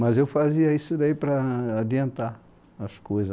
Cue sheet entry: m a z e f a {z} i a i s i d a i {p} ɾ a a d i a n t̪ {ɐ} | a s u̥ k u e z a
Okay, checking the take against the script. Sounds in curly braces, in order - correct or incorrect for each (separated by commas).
correct, correct, incorrect